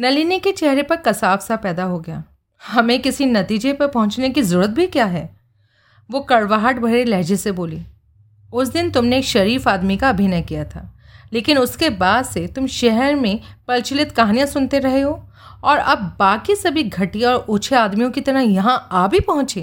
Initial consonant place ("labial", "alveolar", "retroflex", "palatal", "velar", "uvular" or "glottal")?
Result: alveolar